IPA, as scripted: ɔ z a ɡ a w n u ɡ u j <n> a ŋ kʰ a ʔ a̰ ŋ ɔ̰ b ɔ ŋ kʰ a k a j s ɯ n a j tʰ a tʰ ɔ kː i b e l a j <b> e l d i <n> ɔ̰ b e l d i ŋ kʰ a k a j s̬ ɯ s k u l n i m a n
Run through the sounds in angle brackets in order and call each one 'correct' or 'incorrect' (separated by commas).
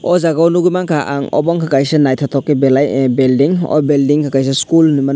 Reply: incorrect, correct, incorrect